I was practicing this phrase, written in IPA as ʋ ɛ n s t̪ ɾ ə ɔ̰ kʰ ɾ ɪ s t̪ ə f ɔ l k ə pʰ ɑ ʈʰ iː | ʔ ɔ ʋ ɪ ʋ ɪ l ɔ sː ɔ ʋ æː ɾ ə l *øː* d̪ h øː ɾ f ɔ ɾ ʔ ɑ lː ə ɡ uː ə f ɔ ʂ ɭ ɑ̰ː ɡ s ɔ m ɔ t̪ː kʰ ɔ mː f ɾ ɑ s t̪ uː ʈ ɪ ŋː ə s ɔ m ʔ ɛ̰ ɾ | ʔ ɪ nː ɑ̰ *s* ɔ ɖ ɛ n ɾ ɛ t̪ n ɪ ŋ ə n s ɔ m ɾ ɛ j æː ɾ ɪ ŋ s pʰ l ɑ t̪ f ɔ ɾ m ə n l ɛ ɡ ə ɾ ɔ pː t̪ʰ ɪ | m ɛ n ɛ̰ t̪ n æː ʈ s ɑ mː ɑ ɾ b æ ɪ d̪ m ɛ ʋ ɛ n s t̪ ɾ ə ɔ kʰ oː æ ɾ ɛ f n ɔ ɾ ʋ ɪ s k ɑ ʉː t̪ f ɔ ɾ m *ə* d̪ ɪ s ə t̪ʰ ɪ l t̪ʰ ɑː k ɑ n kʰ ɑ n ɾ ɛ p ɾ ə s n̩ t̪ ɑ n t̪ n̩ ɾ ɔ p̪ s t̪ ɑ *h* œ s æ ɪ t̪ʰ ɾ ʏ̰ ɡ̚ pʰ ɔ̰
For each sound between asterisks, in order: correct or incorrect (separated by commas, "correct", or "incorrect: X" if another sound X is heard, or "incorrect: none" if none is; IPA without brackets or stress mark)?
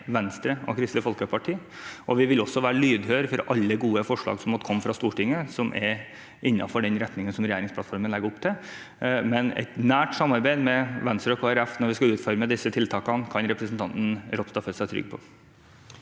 incorrect: yː, incorrect: f, correct, incorrect: f